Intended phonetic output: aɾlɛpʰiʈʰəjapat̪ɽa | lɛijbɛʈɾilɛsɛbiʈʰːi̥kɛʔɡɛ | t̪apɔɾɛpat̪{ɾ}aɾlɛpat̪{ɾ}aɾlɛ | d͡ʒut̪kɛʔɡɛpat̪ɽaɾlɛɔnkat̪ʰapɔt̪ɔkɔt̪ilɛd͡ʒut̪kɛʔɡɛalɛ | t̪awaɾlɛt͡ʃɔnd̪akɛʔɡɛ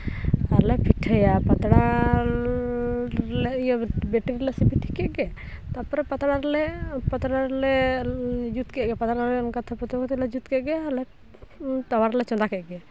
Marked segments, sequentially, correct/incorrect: incorrect: ɽ, incorrect: ɽ

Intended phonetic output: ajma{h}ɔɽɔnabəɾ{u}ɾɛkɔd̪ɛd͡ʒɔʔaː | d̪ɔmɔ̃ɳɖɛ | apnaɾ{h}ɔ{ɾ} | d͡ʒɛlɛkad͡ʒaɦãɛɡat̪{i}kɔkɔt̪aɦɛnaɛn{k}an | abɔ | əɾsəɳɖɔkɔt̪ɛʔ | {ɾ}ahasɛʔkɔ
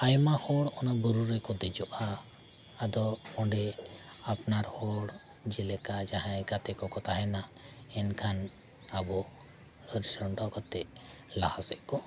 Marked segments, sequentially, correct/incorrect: correct, correct, correct, incorrect: ɽ, incorrect: ɛ, incorrect: kʰ, incorrect: l

